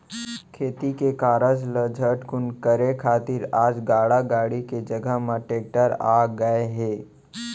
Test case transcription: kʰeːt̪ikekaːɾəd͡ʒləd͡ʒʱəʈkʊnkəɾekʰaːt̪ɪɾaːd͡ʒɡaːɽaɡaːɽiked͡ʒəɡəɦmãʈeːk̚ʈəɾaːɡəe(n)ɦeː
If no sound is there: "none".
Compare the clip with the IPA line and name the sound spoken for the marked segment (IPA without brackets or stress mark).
none